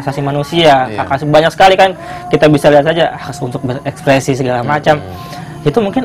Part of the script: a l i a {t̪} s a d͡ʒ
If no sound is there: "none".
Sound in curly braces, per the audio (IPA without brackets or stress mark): t̪